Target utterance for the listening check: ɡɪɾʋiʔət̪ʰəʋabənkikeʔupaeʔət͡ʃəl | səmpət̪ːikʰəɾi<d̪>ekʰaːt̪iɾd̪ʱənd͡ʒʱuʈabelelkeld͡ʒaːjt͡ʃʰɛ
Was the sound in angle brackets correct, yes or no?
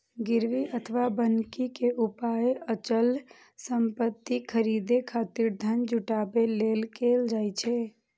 yes